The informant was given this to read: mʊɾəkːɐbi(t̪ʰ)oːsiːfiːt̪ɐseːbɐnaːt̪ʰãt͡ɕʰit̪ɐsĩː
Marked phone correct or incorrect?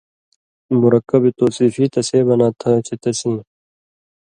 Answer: incorrect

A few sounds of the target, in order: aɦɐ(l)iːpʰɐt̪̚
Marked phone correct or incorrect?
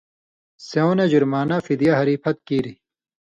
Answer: incorrect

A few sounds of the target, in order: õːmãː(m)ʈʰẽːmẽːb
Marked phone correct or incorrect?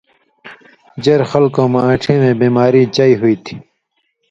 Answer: incorrect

